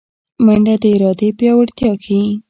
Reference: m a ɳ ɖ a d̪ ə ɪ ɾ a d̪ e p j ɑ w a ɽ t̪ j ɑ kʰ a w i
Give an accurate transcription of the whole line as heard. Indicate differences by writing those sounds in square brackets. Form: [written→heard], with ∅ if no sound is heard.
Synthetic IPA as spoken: m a ɳ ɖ a d̪ ə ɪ ɾ [a→ɑ] d̪ e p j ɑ w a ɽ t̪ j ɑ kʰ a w i